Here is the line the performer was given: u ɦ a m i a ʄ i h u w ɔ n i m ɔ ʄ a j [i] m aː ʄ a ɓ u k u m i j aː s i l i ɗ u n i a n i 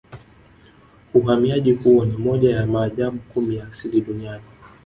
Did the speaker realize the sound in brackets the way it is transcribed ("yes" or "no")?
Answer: no